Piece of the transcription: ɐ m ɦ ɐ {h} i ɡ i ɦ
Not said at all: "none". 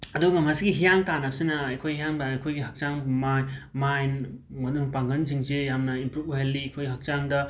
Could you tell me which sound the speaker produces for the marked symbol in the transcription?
s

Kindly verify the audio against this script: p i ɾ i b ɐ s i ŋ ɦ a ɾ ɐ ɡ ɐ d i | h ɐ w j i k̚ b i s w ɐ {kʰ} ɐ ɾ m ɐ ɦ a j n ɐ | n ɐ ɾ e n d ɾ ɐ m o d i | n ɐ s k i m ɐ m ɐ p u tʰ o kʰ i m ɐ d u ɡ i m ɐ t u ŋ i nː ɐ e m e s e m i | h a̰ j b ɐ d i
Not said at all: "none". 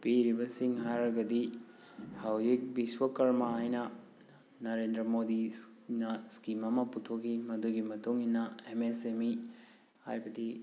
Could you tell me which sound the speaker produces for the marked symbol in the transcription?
k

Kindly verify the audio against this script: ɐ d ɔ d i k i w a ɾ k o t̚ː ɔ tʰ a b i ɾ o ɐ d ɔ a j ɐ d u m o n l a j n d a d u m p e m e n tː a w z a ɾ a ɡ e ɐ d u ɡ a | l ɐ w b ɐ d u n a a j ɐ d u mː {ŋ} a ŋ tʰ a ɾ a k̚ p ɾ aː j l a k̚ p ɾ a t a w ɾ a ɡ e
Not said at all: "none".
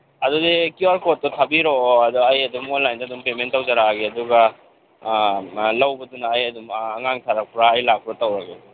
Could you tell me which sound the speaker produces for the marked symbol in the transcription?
ŋ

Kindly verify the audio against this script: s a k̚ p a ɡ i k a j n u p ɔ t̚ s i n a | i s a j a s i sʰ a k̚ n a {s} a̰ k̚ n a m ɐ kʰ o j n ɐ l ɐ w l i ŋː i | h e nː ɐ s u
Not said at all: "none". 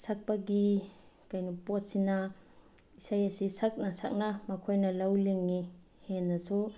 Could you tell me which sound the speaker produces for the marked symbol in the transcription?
s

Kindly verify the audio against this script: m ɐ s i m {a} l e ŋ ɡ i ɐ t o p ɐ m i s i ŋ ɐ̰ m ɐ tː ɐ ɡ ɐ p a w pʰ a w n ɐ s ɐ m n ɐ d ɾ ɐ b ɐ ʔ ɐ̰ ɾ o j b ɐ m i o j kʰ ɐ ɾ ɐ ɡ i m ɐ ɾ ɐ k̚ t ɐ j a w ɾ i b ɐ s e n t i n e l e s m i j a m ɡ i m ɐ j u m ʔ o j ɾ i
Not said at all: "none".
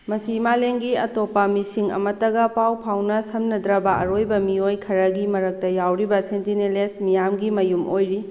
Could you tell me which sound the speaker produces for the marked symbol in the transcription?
a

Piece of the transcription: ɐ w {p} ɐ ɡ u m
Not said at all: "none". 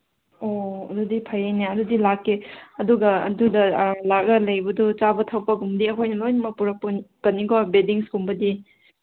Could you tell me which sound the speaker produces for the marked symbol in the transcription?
p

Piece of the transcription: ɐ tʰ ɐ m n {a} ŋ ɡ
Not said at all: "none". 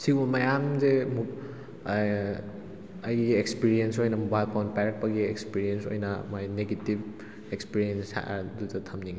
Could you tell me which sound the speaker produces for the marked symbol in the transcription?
i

